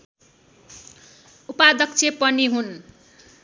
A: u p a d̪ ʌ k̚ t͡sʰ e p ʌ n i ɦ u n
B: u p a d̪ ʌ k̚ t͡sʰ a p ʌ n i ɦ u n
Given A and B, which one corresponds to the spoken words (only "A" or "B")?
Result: A